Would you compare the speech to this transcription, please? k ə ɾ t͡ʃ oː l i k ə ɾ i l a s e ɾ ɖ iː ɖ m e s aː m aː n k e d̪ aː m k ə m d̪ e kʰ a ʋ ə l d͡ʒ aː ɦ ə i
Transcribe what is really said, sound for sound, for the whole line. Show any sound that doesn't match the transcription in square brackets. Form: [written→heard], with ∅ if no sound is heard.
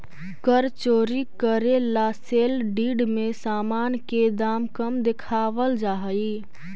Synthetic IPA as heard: k ə ɾ t͡ʃ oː [l→ɾ] i k ə ɾ [i→e] l a s e [ɾ→l] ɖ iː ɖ m e s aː m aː n k e d̪ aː m k ə m d̪ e kʰ a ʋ ə l d͡ʒ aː ɦ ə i

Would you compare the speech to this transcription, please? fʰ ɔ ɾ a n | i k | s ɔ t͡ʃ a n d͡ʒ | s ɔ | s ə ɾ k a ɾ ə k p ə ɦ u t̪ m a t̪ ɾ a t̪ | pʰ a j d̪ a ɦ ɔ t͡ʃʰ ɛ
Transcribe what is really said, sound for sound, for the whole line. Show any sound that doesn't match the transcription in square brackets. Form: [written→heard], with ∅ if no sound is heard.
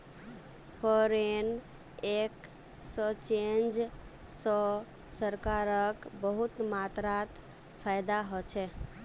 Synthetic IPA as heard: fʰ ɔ ɾ [a→e] n | [i→e] k | s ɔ t͡ʃ [a→e] n d͡ʒ | s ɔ | s ə ɾ k a ɾ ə k [p→b] ə ɦ u t̪ m a t̪ ɾ a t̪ | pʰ a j d̪ a ɦ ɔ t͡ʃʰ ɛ

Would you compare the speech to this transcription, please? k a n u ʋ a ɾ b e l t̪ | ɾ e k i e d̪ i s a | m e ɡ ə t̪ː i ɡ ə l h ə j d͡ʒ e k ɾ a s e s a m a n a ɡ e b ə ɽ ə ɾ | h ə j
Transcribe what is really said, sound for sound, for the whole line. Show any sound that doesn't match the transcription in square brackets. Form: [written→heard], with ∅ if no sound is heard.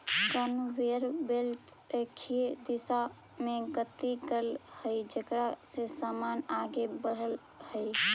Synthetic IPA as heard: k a n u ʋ [a→e] ɾ b e l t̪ | ɾ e [k→kʰ] i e d̪ i s a | m e ɡ ə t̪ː i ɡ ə l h ə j d͡ʒ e k ɾ a s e s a m a n a ɡ e b ə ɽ ə [ɾ→l] | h ə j

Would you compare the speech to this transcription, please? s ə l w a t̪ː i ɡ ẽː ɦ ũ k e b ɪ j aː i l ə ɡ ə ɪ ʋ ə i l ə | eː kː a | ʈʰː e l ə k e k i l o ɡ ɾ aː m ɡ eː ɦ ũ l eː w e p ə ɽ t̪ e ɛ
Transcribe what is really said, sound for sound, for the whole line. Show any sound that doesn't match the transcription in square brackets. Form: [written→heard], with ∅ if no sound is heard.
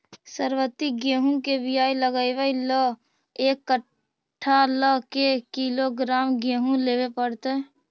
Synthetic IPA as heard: s ə [l→ɾ] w [a→ə] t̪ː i ɡ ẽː ɦ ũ k e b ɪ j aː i l ə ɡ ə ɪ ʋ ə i l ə | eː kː [a→ə] | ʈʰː [e→a] l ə k e k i l o ɡ ɾ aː m ɡ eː ɦ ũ l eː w e p ə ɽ t̪ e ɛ

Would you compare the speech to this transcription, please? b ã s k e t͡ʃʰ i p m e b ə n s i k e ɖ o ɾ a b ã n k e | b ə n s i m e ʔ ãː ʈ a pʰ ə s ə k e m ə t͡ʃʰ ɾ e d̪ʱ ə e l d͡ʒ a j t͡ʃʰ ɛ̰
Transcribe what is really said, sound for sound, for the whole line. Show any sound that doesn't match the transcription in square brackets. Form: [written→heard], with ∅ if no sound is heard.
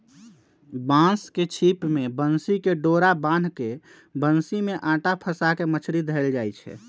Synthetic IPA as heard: b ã s k e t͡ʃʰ i p m e b ə n s i k e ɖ o ɾ a b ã n k e | b ə n s i m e ʔ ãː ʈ a pʰ ə s [ə→a] k e m ə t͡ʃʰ ɾ [e→i] d̪ʱ ə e l d͡ʒ a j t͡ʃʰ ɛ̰

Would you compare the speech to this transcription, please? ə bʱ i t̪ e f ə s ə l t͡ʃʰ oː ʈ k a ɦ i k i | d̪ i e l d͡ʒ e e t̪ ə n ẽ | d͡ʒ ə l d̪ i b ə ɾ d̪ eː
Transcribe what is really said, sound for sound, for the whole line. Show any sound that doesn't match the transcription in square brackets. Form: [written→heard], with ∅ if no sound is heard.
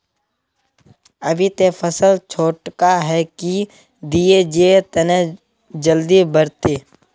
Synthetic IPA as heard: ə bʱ i t̪ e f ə s ə l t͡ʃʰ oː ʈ k a ɦ [i→ɛ] k i | d̪ i e [l→∅] d͡ʒ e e t̪ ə n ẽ | d͡ʒ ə l d̪ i b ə ɾ [d̪→t̪] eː

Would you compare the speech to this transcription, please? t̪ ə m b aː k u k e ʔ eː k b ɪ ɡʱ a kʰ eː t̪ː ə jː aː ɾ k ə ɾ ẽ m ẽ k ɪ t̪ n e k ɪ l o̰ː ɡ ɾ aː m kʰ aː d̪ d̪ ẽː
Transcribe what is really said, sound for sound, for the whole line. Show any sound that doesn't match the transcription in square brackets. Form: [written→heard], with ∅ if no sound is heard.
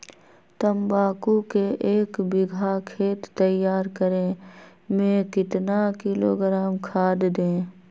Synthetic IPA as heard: t̪ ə m b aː k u k e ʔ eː k b ɪ ɡʱ a kʰ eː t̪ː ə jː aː ɾ k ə ɾ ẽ m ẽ k ɪ t̪ n [e→a] k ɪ l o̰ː ɡ ɾ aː m kʰ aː d̪ d̪ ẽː

